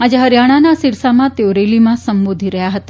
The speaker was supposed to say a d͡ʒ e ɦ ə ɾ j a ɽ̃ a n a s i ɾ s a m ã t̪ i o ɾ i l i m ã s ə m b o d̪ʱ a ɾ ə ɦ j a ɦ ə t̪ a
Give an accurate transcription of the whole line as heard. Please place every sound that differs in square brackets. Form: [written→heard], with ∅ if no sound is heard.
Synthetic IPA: a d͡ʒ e ɦ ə ɾ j a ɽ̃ a n a s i ɾ s a m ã t̪ [i→e] o ɾ [i→e] l i m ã s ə m b o d̪ʱ [a→i] ɾ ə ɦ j a ɦ ə t̪ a